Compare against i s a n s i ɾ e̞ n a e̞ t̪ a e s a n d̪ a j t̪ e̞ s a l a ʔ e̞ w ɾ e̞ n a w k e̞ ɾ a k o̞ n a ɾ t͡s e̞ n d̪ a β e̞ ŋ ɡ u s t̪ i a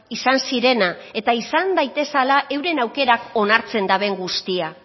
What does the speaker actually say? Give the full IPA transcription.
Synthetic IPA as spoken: i s a n s i ɾ e̞ n a e̞ t̪ a i s a n d̪ a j t̪ e̞ s a l a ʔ e̞ w ɾ e̞ n a w k e̞ ɾ a k o̞ n a ɾ t͡s e̞ n d̪ a β e̞ ŋ ɡ u s t̪ i a